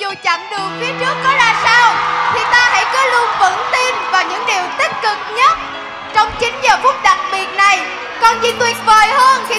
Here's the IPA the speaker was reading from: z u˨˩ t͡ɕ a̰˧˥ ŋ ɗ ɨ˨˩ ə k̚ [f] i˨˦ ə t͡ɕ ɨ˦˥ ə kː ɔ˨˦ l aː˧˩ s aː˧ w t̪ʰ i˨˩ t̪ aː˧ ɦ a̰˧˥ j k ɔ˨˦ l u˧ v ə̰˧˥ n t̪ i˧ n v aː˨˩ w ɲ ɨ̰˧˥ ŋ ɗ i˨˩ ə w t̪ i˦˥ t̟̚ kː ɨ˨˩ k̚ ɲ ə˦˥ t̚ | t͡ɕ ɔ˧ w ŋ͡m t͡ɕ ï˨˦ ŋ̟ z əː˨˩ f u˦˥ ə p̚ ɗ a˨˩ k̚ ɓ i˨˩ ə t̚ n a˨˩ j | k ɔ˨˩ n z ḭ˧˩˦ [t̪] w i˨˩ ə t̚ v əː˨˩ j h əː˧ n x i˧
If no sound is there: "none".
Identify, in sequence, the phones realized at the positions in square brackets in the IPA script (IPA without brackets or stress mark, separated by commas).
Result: f, t̪